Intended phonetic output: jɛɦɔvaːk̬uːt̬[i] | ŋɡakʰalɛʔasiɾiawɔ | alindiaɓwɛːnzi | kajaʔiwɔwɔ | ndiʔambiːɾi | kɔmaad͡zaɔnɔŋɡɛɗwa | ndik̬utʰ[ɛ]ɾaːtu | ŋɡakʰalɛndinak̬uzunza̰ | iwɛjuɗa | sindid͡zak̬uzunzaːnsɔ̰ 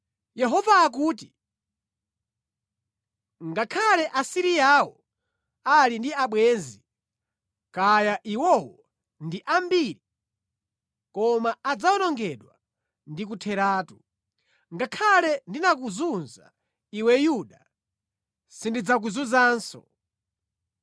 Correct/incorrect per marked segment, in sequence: correct, correct

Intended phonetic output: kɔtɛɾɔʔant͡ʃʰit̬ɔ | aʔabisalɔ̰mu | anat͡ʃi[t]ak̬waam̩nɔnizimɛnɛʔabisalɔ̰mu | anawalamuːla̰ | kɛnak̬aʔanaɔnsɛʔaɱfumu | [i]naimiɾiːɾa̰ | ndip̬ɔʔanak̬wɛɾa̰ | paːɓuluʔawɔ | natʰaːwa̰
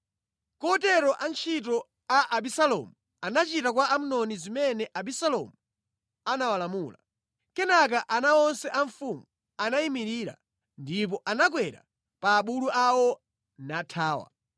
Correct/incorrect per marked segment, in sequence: correct, incorrect

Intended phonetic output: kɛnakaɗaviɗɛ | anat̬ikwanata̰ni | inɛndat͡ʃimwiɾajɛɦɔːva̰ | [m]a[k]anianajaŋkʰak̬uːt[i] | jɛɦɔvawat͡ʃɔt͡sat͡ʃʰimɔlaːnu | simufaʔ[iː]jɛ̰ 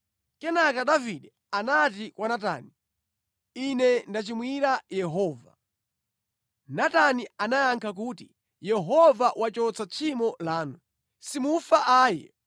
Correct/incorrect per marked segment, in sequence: incorrect, incorrect, correct, incorrect

